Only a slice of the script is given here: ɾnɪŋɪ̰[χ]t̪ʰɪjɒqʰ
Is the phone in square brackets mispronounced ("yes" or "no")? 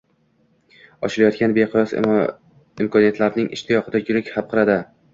yes